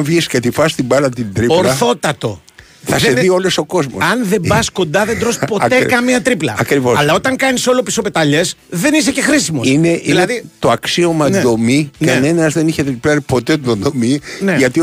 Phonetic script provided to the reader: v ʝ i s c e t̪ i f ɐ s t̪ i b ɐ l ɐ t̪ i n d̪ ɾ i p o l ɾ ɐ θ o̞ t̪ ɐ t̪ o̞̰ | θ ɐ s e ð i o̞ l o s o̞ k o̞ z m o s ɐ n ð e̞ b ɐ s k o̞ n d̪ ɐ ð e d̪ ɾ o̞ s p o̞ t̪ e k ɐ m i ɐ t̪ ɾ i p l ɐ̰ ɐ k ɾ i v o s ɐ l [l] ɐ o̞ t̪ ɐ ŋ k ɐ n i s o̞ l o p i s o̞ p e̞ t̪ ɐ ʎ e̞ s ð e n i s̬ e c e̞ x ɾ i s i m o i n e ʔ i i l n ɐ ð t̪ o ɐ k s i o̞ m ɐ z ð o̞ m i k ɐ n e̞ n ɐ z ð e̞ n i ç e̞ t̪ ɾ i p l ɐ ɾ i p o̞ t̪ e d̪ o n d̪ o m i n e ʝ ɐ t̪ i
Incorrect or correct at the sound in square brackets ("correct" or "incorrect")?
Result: correct